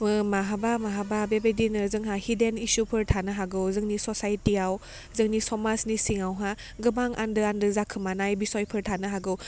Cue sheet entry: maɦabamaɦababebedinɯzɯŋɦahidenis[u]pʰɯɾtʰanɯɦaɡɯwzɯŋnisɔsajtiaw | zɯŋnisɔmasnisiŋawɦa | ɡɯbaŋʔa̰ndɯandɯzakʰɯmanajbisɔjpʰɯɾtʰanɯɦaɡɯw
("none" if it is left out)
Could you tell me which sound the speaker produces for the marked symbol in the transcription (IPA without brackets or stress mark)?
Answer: u